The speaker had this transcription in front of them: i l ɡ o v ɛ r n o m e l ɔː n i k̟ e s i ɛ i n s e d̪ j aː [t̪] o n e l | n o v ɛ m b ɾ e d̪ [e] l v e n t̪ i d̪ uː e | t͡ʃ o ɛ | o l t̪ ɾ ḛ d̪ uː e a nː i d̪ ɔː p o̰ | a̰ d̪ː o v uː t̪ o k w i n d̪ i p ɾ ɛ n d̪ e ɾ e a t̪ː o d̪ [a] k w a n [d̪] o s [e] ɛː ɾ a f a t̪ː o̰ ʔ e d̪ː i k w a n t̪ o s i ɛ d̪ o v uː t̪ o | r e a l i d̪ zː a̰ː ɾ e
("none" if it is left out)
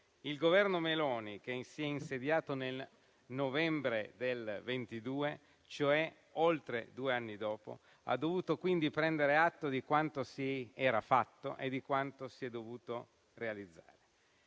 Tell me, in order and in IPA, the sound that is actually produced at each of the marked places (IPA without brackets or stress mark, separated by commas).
t̪, e, i, t̪, i